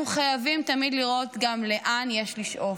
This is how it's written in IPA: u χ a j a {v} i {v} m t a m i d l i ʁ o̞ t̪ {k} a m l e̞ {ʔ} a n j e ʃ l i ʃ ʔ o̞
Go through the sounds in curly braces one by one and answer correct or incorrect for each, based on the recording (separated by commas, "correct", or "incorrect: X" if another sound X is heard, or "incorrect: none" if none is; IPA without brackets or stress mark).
correct, incorrect: none, incorrect: ɡ, correct